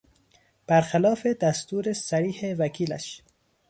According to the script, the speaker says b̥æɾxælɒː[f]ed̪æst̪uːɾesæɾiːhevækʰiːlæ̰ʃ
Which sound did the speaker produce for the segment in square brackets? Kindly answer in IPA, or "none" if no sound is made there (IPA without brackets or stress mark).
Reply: f